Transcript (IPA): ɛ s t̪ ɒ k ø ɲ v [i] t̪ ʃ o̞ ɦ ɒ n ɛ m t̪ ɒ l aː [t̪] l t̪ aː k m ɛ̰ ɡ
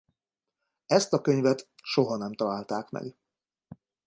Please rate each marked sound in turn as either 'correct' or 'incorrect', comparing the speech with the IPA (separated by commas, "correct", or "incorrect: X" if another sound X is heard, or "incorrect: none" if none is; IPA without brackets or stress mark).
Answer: incorrect: ɛ, incorrect: none